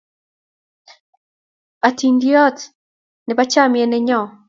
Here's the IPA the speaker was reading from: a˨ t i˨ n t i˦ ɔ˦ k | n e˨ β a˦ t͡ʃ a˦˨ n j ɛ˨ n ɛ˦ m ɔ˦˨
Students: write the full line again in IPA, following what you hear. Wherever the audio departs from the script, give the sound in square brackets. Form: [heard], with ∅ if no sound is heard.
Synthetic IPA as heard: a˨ t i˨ n [d] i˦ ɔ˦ [t] | n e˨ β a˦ t͡ʃ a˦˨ [m] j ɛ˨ n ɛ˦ [ɲ] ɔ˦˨

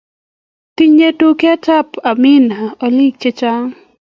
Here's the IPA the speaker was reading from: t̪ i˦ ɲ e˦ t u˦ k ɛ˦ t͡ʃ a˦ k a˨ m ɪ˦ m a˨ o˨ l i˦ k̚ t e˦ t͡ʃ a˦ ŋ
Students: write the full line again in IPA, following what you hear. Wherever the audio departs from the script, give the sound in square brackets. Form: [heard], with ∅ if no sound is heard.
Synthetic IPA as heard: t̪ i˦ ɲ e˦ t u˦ k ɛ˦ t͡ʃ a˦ [p] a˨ m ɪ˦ [n] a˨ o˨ l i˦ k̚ [t͡ʃ] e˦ t͡ʃ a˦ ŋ

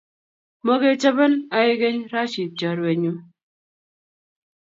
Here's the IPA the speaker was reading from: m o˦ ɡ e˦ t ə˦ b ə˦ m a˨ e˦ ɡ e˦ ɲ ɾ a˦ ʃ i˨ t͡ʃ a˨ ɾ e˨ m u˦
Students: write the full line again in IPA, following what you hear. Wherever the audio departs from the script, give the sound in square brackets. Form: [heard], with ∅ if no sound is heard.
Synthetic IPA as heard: m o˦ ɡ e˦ [t͡ʃ] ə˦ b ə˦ [n] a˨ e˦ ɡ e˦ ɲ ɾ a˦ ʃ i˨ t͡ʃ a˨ ɾ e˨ [ɲ] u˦

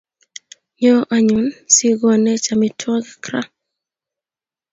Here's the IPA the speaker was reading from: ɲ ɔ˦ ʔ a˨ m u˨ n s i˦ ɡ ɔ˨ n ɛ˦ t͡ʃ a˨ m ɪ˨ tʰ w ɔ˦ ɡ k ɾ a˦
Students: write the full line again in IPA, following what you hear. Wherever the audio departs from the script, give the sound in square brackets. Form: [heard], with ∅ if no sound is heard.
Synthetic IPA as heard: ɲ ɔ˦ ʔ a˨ [ɲ] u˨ n s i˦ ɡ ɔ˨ n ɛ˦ t͡ʃ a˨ m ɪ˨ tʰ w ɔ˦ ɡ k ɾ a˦

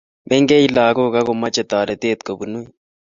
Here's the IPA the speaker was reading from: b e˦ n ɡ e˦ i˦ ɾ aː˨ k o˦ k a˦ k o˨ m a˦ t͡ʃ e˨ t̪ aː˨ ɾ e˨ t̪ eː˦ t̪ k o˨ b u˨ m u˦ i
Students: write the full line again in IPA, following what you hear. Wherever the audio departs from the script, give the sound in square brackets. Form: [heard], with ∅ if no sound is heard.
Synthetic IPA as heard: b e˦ [ŋ] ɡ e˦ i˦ [l] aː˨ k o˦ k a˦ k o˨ m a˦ t͡ʃ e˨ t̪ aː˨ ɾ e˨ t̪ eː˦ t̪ k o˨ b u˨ [n] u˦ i

